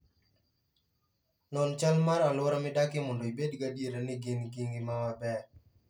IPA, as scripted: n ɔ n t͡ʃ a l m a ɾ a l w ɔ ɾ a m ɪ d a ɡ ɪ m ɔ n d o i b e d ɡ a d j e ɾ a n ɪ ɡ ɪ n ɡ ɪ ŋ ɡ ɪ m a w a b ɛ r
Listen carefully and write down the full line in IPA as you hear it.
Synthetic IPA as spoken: n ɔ n t͡ʃ a l m a ɾ a l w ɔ ɾ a m ɪ d a k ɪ m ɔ n d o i b e d ɡ a d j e ɾ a n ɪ ɡ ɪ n ɡ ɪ ŋ ɡ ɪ m a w a b ɛ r

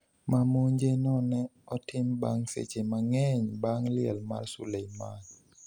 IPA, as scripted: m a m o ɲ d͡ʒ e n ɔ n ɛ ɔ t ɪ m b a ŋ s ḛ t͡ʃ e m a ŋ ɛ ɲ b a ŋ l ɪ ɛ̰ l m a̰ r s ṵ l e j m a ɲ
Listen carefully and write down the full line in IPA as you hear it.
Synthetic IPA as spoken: m a m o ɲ d͡ʒ e n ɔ n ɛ ɔ t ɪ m b a ŋ s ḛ t͡ʃ e m a ŋ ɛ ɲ b a ŋ l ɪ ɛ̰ l m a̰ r s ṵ l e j m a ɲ

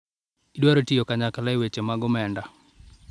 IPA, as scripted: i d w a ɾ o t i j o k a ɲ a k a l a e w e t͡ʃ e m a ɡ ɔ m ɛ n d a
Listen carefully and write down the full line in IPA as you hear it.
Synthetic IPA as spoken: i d w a ɾ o t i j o k a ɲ a k a l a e w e t͡ʃ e m a ɡ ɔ m ɛ n d a

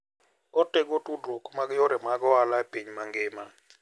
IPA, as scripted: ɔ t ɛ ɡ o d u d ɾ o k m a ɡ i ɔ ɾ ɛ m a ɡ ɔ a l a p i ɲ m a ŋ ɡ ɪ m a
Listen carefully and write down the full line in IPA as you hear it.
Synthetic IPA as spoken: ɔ t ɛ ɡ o t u d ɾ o k m a ɡ j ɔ ɾ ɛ m a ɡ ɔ a l a p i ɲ m a ŋ ɡ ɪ m a

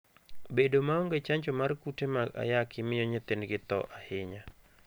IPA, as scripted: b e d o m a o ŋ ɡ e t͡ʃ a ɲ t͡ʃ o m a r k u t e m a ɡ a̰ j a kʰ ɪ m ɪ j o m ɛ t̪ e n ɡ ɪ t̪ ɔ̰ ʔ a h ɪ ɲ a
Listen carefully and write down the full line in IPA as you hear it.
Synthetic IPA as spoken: b e d o m a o ŋ ɡ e t͡ʃ a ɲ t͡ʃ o m a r k u t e m a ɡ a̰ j a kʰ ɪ m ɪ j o ɲ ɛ t̪ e n ɡ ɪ t̪ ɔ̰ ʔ a h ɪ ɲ a

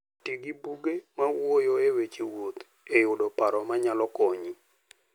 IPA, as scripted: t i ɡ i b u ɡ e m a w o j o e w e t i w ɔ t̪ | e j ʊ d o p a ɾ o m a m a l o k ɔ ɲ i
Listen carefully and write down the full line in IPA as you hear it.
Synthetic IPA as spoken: t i ɡ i b u ɡ e m a w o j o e w e t͡ʃ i w o t̪ | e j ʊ d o p a ɾ ɔ m a ɲ a l ɔ k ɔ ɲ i

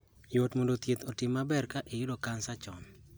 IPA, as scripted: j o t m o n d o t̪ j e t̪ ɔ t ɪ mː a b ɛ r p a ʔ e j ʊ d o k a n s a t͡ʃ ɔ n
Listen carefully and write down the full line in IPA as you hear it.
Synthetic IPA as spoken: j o t m o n d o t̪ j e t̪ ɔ t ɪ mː a b ɛ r k a ʔ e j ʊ d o k a n s a t͡ʃ ɔ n

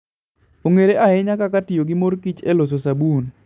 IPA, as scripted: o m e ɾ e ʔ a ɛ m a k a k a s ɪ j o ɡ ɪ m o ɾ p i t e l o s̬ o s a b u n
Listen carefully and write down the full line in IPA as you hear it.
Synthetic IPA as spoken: o ŋ e ɾ e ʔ a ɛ ɲ a k a k a t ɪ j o ɡ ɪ m o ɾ k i t͡ʃ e l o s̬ o s a b u n

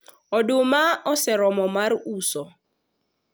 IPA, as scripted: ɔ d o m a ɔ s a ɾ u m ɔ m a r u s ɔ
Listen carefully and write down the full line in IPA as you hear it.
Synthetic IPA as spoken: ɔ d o m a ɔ s ɛ ɾ ɔ m ɔ m a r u s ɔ

